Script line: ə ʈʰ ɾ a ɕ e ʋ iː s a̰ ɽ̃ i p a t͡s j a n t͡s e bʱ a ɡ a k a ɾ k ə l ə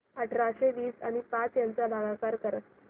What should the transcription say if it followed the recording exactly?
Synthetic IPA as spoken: ə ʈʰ ɾ a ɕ e ʋ iː s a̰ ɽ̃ i p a t͡s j a n t͡s a bʱ a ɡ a k a ɾ k ə ɾ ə